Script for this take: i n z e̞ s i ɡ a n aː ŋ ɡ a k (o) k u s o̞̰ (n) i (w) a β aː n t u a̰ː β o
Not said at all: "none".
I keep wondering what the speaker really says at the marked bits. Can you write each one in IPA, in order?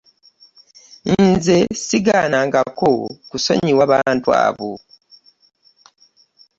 o, ɲ, w

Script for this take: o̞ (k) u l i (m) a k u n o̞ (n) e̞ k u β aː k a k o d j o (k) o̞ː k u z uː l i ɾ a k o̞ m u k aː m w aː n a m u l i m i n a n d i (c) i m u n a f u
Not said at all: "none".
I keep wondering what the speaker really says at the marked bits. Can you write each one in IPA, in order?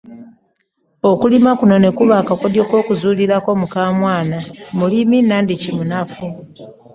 k, m, n, k, c

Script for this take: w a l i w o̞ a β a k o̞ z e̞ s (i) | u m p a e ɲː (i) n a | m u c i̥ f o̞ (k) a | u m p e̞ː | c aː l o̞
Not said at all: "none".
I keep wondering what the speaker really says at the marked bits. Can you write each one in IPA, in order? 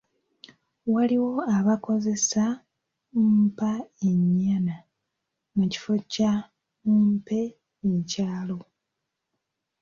a, a, c

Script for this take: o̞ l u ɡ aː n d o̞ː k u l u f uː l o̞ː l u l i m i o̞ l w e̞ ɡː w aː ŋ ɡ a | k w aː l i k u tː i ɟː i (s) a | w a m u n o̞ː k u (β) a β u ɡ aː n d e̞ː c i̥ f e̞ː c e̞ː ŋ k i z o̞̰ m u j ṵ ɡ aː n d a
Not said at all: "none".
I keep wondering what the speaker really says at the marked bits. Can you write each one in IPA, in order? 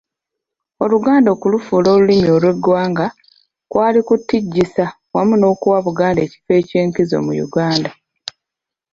s, w

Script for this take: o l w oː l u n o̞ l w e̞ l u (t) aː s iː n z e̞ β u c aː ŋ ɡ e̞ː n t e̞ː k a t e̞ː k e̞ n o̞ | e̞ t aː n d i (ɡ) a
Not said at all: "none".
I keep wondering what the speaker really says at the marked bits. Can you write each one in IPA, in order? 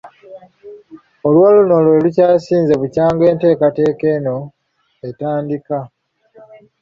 c, k

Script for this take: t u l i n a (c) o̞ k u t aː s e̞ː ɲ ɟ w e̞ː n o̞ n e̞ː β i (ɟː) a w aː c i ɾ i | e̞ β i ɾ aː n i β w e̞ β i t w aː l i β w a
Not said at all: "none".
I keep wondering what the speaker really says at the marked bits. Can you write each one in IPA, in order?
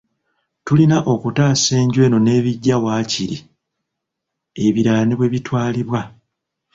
ʔ, ɟː

